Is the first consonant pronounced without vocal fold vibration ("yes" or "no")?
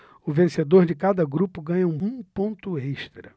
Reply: no